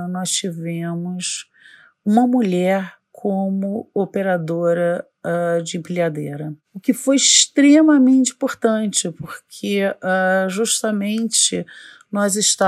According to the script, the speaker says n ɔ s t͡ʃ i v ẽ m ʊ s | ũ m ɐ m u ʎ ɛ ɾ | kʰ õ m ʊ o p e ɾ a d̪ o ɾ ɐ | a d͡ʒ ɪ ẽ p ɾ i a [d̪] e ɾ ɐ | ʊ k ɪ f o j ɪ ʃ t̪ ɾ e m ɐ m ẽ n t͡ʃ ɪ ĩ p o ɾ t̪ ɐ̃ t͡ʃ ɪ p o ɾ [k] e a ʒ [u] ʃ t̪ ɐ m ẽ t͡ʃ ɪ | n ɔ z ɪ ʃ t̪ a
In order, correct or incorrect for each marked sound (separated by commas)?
correct, incorrect, correct